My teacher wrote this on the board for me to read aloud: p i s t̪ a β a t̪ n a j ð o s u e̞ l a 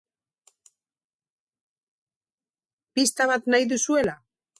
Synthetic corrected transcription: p i s t̪ a β a t̪ n a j ð u s u e̞ l a